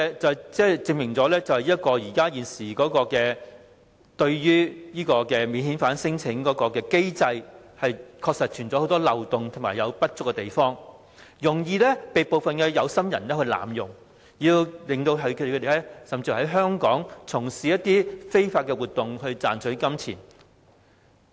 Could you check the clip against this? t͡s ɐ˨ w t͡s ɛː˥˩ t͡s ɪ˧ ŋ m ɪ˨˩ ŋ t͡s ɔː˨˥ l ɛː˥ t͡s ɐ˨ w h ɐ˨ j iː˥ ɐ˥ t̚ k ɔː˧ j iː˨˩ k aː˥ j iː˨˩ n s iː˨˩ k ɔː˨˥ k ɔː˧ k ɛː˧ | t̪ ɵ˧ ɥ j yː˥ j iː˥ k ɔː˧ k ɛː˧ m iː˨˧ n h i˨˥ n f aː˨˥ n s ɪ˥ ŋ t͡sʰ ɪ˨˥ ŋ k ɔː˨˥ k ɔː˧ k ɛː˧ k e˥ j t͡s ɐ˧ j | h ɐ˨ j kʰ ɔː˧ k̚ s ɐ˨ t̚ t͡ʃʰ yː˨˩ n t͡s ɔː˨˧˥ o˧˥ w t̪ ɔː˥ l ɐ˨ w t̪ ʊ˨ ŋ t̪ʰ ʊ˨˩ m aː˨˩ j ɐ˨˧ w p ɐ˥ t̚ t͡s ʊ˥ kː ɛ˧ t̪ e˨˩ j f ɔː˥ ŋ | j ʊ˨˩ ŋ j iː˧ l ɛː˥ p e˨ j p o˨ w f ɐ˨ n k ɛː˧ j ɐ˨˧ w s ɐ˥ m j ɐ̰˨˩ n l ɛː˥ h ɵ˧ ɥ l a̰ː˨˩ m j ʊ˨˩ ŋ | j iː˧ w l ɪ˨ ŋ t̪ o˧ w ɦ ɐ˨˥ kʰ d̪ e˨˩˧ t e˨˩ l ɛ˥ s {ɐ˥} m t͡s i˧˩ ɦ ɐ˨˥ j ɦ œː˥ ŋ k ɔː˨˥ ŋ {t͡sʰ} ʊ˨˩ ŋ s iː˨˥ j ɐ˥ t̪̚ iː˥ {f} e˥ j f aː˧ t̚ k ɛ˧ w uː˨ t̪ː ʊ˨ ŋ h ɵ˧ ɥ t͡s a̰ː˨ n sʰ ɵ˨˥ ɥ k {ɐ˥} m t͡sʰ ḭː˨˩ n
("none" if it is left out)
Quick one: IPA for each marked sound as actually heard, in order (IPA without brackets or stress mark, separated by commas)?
ɐ˨˩, t͡sʰ, f, ɐ˥